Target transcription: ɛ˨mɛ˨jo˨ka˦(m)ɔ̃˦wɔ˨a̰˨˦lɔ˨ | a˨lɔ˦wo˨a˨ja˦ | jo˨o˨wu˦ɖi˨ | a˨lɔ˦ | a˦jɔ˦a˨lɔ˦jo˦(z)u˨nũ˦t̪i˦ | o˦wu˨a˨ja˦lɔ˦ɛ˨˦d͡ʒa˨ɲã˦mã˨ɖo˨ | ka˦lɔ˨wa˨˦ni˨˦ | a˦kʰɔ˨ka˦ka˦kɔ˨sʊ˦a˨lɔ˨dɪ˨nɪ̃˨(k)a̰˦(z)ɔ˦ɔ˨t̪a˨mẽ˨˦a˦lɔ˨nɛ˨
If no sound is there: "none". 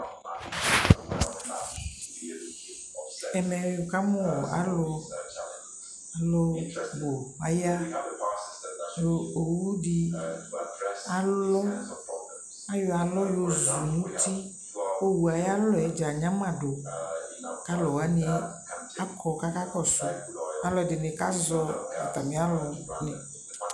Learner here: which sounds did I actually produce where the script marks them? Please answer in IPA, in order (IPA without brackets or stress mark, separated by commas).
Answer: m, z, k, z